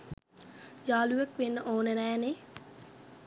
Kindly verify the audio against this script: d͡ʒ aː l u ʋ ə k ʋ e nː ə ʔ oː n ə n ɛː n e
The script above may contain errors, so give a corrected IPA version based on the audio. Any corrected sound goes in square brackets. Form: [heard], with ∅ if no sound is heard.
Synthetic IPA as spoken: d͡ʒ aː l u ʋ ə k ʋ e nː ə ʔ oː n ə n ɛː n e